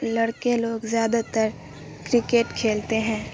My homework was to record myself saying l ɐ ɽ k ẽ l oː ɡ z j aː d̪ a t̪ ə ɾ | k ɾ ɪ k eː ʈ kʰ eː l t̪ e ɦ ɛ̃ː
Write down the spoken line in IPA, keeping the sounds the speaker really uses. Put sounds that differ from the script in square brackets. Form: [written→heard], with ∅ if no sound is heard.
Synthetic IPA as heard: l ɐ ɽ k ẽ l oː ɡ z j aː d̪ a t̪ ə ɾ | k ɾ ɪ k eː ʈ kʰ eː l t̪ e ɦ ɛ̃ː